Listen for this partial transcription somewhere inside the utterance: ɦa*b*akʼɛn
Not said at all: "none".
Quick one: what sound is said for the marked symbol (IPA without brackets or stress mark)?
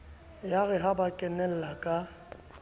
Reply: b